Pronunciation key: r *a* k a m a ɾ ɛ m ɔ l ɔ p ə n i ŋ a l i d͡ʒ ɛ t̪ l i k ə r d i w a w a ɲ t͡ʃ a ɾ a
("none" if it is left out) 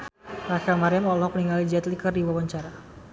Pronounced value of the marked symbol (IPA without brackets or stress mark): a